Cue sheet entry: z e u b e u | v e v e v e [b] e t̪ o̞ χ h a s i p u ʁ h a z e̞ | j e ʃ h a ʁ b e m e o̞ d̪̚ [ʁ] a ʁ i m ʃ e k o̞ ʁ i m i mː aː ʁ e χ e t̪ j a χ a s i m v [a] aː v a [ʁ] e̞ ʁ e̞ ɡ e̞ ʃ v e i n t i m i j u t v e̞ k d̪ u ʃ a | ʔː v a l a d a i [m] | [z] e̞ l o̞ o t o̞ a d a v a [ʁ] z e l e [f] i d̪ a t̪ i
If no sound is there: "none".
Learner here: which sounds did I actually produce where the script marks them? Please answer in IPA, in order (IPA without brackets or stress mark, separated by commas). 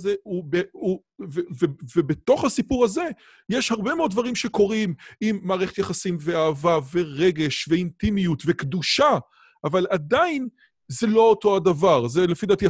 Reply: b, v, e, v, n, z, ʁ, f